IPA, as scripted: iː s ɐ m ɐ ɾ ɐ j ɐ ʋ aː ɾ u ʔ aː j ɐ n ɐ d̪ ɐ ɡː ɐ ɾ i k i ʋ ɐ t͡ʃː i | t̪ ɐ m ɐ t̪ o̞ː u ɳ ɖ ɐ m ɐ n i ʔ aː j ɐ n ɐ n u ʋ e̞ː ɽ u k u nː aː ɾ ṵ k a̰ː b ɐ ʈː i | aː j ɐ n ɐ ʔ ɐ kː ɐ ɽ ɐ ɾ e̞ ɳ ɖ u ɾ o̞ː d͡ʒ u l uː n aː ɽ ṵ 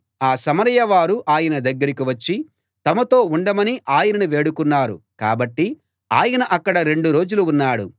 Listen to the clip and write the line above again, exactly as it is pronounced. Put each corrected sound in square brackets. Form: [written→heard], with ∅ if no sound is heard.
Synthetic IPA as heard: [iː→aː] s ɐ m ɐ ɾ ɐ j ɐ ʋ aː ɾ u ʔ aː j ɐ n ɐ d̪ ɐ ɡː ɐ ɾ i k i ʋ ɐ t͡ʃː i | t̪ ɐ m ɐ t̪ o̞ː u ɳ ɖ ɐ m ɐ n i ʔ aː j ɐ n ɐ n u ʋ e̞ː ɽ u k u nː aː ɾ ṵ k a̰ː b ɐ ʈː i | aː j ɐ n ɐ ʔ ɐ kː ɐ ɽ ɐ ɾ e̞ ɳ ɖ u ɾ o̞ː d͡ʒ u l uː [n→nː] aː ɽ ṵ

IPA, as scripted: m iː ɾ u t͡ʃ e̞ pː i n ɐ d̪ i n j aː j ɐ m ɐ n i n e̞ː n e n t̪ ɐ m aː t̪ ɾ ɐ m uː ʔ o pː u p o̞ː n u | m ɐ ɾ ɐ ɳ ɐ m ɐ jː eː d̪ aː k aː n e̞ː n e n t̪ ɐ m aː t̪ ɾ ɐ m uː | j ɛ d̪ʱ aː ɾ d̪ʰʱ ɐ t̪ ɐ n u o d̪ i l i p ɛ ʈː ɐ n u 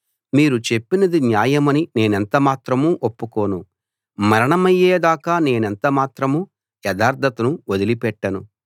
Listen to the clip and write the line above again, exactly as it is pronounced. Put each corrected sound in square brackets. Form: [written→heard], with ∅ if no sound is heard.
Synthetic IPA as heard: m iː ɾ u t͡ʃ e̞ pː i n ɐ d̪ i n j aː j ɐ m ɐ n i n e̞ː n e n t̪ ɐ m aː t̪ ɾ ɐ m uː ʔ o pː u [p→k] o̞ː n u | m ɐ ɾ ɐ ɳ ɐ m ɐ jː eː d̪ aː k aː n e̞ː n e n t̪ ɐ m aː t̪ ɾ ɐ m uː | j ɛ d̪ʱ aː ɾ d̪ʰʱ ɐ t̪ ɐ n u o d̪ i l i p ɛ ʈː ɐ n u

